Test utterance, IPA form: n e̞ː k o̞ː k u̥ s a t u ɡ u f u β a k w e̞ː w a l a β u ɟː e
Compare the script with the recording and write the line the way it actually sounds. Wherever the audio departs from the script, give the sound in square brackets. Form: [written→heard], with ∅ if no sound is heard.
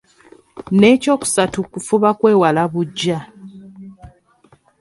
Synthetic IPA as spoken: n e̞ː [k→c] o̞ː k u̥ s a t u [ɡ→k] u f u β a k w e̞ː w a l a β u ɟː [e→a]

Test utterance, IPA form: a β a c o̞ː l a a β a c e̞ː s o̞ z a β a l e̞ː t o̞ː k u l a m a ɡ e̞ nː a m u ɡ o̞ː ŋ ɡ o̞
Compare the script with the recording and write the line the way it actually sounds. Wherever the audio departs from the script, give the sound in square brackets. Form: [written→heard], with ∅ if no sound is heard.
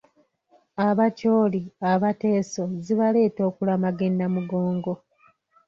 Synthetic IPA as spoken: a β a c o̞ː l [a→i] a β a [c→t] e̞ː s o̞ z [a→i] β a l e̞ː t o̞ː k u l a m a ɡ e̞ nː a m u ɡ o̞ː ŋ ɡ o̞

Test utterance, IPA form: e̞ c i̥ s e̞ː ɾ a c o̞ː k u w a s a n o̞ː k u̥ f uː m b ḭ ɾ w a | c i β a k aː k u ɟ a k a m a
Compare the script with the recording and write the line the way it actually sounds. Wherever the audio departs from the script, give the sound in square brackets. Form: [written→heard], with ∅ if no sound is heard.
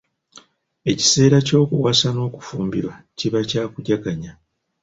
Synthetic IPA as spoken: e̞ c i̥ s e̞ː ɾ a c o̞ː k u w a s a n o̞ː k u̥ f uː m b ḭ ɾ w a | c i β a [k→c] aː k u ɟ a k a [m→ɲ] a

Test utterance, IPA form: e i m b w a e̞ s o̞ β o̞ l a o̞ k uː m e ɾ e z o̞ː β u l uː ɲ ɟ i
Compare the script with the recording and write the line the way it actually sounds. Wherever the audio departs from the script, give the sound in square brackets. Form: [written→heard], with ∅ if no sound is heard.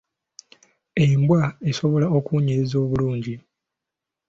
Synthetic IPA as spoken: e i m b w a e̞ s o̞ β o̞ l a o̞ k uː [m→ɲ] e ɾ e z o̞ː β u l uː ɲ ɟ i

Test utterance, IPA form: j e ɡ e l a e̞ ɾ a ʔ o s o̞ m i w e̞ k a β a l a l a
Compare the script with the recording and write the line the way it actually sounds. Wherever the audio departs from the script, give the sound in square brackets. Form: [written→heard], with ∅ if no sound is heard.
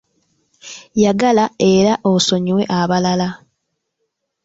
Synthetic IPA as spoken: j [e→a] ɡ [e→a] l a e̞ ɾ a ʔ o s o̞ [m→ɲ] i w e̞ [k→ʔ] a β a l a l a

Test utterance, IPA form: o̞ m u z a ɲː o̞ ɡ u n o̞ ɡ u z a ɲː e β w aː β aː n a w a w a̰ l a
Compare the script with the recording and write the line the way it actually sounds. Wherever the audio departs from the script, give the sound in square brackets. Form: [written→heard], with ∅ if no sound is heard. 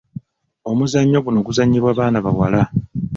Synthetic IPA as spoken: o̞ m u z a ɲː o̞ ɡ u n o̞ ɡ u z a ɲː [e→i] β w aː β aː n a [w→β] a w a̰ l a

